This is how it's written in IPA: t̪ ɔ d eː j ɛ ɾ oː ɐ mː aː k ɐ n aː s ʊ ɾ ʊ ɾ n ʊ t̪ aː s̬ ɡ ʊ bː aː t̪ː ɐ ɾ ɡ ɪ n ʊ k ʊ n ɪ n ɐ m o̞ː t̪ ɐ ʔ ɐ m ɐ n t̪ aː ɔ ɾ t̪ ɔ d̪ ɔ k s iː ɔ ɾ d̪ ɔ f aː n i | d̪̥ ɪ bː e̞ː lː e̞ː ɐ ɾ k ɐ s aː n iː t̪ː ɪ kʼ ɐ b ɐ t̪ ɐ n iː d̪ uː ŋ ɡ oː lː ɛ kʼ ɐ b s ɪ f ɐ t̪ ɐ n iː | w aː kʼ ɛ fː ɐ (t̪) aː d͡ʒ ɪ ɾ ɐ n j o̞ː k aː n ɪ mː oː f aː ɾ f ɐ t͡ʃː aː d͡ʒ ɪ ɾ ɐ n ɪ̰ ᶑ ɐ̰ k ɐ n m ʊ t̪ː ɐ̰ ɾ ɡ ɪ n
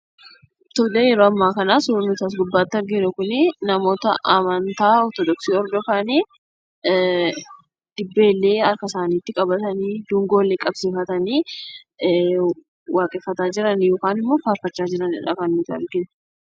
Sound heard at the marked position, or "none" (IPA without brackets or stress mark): t̪